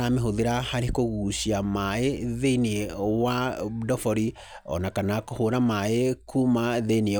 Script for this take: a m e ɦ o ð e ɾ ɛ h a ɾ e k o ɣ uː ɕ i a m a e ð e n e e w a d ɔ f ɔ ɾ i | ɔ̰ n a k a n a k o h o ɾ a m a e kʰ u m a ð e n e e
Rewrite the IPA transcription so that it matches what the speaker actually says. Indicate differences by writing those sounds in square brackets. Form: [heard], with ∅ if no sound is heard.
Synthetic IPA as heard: a m e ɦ o ð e ɾ [a] h a ɾ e k o ɣ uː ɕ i a m a e ð e n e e w a d ɔ f ɔ ɾ i | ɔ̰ n a k a n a k o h o ɾ a m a e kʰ u m a ð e n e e

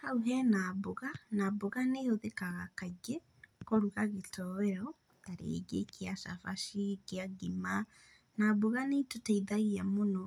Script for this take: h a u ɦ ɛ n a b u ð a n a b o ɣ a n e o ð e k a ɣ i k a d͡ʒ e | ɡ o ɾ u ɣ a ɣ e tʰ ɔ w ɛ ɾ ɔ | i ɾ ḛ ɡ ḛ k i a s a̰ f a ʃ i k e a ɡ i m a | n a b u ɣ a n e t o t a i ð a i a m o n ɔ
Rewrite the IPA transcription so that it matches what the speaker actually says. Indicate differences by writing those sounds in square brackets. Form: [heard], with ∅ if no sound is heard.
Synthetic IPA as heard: h a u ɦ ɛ n a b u [ɣ] a n a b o ɣ a n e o ð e k a ɣ [a] k a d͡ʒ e | [k] o ɾ u ɣ a ɣ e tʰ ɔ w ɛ ɾ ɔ | [a] ɾ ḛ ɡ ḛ k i a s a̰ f a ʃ i k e a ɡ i m a | n a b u ɣ a n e t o t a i ð a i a m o n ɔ

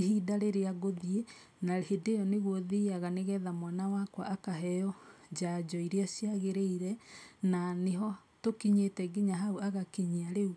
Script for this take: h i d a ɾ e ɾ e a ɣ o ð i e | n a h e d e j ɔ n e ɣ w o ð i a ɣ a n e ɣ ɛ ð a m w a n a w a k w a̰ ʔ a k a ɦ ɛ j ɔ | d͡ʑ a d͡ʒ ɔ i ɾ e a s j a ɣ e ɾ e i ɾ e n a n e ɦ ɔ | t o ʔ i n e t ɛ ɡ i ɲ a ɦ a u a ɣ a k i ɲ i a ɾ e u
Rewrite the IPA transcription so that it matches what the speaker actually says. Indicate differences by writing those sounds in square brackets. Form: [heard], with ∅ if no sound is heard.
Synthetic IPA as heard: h i d a ɾ e ɾ e a ɣ o ð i e | n a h e d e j ɔ n e ɣ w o ð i a ɣ a n e ɣ ɛ ð a m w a n a w a k w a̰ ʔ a k a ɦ ɛ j ɔ | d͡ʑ a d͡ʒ ɔ i ɾ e a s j a ɣ e ɾ e i ɾ [ɛ] n a n e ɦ ɔ | t o [k] i [ɲ] e t ɛ ɡ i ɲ a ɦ a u a ɣ a k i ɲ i a ɾ e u

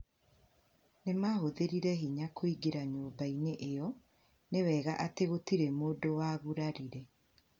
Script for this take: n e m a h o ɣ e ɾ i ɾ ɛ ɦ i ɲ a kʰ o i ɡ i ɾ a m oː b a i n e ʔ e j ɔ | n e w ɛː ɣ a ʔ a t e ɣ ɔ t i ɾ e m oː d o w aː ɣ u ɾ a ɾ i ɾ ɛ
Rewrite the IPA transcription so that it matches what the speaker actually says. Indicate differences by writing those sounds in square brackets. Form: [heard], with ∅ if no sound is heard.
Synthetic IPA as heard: n e m a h o [ð] e ɾ i ɾ ɛ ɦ i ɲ a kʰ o i ɡ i ɾ a [ɲ] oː b a i n e ʔ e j ɔ | n e w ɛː ɣ a ʔ a t e ɣ [o] t i ɾ e m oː d o w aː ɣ u ɾ a ɾ i ɾ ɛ

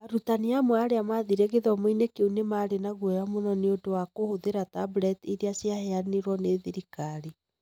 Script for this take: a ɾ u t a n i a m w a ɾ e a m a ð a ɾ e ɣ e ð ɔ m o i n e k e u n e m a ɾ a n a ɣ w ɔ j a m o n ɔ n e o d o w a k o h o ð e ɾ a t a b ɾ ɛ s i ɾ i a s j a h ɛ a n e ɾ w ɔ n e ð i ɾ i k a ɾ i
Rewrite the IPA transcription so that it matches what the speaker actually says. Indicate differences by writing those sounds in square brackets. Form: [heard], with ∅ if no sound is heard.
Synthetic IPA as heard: a ɾ u t a n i a m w a ɾ e a m a ð [i] ɾ e ɣ e ð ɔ m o i n e k e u n e m a ɾ [e] n a ɣ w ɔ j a m o n ɔ n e o d o w a k o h o ð e ɾ a t a b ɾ ɛ [t] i ɾ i a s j a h ɛ a n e ɾ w ɔ n e ð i ɾ i k a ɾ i

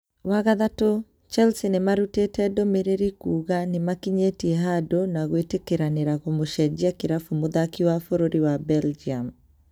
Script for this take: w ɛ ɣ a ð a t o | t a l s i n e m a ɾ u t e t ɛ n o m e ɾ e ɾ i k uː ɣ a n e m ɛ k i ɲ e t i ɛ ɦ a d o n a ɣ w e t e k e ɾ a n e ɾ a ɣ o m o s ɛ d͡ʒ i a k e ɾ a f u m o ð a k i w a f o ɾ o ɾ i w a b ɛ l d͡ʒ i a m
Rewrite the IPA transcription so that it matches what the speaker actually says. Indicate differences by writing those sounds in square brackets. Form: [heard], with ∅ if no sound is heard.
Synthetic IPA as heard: w [a] ɣ a ð a t o | [t͡ʃ] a l s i n e m a ɾ u t e t ɛ [d] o m e ɾ e ɾ i k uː ɣ a n e m [a] k i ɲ e t i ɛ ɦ a d o n a ɣ w e t e k e ɾ a n e ɾ a ɣ o m o [ʃ] ɛ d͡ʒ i a k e ɾ a f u m o ð a k i w a f o ɾ o ɾ i w a b ɛ l d͡ʒ i a m

